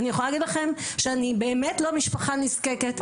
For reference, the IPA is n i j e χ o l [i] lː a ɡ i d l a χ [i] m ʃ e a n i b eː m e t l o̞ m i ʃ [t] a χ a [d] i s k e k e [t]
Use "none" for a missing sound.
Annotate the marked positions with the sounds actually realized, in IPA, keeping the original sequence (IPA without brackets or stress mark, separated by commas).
a, e, p, n, t